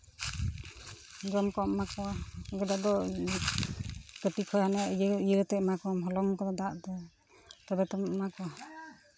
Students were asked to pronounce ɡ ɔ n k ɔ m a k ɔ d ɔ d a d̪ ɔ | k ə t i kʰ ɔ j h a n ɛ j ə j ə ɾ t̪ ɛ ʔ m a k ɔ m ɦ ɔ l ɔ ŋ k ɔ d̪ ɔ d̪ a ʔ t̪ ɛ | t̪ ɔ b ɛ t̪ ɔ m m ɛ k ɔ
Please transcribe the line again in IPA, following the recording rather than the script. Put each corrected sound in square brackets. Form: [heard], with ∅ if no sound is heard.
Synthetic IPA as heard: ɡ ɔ [m] k ɔ m a k ɔ [ɡ] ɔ d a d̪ ɔ | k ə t i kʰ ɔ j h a n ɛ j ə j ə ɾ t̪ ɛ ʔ m a k ɔ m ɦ ɔ l ɔ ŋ k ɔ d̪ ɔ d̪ a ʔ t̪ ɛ | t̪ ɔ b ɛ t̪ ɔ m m [a] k ɔ